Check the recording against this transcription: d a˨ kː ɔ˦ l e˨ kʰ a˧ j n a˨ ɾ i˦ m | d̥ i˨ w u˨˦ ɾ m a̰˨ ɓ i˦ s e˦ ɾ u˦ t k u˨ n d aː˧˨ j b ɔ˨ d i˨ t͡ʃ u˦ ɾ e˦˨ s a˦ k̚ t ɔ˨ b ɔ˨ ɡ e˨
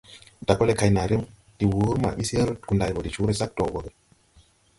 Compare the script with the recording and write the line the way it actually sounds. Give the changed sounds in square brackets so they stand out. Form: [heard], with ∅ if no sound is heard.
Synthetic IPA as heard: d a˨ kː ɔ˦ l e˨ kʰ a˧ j n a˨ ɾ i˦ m | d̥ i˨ w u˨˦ ɾ m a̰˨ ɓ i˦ s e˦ ɾ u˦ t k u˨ n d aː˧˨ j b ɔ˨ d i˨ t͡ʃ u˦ ɾ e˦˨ s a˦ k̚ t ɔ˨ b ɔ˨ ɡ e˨